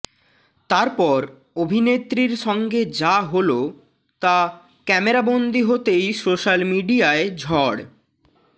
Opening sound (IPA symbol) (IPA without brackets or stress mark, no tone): t̪